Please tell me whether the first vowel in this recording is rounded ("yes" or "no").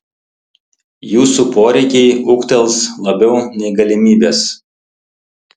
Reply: yes